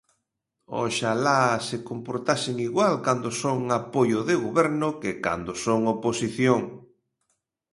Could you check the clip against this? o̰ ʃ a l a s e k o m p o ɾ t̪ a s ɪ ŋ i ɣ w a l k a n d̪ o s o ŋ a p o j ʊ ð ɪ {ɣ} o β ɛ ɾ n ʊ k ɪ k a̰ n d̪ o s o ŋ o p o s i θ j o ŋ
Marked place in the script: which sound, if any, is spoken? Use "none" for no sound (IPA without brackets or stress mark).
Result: ɣ